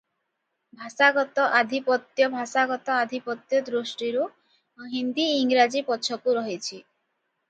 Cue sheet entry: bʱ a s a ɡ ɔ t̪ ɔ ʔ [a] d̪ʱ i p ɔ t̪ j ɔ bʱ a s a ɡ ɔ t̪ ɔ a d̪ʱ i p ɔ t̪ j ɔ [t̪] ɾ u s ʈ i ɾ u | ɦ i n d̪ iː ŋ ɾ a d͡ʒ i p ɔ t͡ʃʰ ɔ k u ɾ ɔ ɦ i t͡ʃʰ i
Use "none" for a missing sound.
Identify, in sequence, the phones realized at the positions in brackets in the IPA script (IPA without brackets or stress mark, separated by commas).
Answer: a, d̪